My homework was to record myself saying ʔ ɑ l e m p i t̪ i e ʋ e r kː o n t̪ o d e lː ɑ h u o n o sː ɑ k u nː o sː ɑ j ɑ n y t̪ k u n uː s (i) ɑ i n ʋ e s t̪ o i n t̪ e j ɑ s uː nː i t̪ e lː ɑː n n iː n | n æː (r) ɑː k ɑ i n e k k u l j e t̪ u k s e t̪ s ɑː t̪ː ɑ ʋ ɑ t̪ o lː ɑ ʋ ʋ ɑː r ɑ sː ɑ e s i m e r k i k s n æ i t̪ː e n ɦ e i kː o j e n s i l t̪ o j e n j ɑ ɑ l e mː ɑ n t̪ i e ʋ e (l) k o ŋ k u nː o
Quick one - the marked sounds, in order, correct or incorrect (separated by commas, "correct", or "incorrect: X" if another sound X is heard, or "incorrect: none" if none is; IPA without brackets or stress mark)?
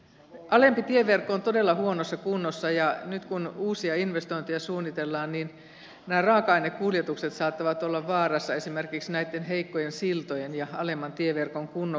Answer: correct, correct, incorrect: r